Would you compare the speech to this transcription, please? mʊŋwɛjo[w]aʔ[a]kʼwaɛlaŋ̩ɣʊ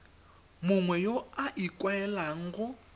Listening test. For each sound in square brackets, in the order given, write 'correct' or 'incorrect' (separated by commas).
incorrect, incorrect